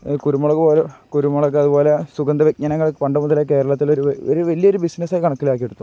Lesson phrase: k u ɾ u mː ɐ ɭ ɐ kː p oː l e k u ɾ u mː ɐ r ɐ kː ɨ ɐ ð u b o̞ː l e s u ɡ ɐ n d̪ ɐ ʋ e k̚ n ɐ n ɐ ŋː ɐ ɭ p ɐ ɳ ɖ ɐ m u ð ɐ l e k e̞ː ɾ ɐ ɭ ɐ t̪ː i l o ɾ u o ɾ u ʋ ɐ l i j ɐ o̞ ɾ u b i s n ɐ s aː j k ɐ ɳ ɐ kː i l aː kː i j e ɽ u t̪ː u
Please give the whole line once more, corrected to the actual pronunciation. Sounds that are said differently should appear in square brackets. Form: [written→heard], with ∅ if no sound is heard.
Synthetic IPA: k u ɾ u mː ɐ ɭ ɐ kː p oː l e k u ɾ u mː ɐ [r→ɭ] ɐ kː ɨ ɐ ð u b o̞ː l e s u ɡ ɐ n d̪ ɐ ʋ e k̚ [n→ɲ] ɐ n ɐ ŋː ɐ ɭ p ɐ ɳ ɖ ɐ m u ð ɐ l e k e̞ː ɾ ɐ ɭ ɐ t̪ː i l o ɾ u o ɾ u ʋ ɐ l i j ɐ o̞ ɾ u b i s n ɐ s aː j k ɐ ɳ ɐ kː i l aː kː i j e ɽ u t̪ː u